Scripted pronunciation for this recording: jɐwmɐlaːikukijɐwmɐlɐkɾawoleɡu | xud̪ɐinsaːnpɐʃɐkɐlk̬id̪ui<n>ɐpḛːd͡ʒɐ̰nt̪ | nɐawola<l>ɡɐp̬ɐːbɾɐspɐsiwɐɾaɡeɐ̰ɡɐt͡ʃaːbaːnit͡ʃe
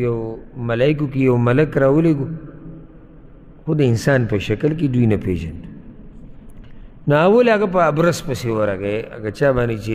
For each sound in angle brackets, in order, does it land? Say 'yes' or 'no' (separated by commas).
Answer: yes, no